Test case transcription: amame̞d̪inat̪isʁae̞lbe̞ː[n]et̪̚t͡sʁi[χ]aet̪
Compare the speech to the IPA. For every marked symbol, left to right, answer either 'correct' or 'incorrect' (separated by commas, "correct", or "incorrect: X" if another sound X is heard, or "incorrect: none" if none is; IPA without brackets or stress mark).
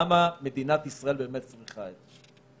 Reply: incorrect: m, correct